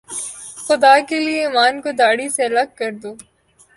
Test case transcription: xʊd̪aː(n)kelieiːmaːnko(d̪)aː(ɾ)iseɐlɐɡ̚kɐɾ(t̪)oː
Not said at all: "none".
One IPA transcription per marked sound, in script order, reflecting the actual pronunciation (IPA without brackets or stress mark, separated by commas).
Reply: none, d̪, ɽ, d̪